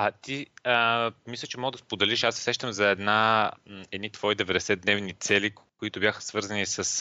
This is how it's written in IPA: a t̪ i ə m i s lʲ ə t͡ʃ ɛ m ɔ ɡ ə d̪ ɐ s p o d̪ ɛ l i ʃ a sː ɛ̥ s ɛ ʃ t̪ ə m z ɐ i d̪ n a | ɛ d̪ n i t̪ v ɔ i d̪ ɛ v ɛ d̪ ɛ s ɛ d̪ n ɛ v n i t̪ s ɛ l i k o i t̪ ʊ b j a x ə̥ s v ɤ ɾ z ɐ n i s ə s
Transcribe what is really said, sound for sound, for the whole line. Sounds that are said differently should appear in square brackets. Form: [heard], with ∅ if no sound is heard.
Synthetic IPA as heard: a t̪ i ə m i s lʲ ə t͡ʃ ɛ m ɔ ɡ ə d̪ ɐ s p o d̪ ɛ l i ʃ a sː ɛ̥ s ɛ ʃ t̪ ə m z ɐ [ɛ] d̪ n a | ɛ d̪ n i t̪ v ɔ i d̪ ɛ v ɛ d̪ ɛ s ɛ d̪ n ɛ v n i t̪ s ɛ l i k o i t̪ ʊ b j a x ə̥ s v ɤ ɾ z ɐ n i s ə s